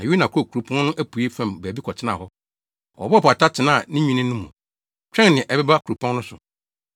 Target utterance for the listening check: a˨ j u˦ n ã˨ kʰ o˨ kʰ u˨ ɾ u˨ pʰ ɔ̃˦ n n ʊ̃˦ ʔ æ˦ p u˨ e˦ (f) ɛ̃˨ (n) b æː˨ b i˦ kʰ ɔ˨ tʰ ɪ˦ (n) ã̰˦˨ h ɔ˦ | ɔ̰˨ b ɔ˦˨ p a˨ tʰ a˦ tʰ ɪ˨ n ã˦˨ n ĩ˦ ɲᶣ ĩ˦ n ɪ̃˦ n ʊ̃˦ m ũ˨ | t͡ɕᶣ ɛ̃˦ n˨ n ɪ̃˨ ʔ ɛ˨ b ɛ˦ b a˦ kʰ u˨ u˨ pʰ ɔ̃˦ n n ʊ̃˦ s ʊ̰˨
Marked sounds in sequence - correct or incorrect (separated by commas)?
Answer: correct, incorrect, correct